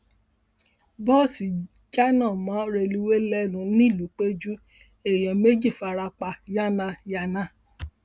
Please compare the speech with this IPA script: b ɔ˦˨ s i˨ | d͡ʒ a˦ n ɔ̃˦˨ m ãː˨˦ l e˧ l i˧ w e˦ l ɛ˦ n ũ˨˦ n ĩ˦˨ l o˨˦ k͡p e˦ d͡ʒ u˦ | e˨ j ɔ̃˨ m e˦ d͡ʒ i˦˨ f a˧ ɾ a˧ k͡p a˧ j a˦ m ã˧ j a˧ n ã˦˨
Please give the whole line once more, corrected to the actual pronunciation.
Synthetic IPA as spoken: b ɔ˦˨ s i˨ | d͡ʒ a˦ n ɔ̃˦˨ m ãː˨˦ ɾ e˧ l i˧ w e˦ l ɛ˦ n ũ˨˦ n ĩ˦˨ l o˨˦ k͡p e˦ d͡ʒ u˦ | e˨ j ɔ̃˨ m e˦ d͡ʒ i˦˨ f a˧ ɾ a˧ k͡p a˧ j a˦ n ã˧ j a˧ n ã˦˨